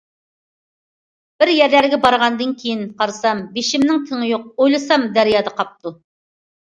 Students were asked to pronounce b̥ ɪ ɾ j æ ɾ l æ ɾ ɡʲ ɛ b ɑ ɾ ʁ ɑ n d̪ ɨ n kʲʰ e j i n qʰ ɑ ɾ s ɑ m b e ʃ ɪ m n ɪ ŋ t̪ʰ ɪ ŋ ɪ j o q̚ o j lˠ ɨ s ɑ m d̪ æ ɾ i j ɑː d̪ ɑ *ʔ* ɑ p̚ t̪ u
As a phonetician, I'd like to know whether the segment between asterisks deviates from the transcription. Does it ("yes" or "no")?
yes